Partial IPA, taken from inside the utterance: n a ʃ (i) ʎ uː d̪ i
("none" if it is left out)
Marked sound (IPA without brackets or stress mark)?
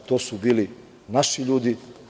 i